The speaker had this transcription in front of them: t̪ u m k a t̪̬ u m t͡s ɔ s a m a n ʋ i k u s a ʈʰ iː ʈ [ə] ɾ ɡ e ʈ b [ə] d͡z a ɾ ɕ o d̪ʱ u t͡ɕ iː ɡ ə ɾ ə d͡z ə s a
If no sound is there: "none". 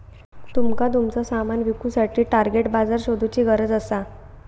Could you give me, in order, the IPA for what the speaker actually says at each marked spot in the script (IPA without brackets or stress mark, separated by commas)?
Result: a, a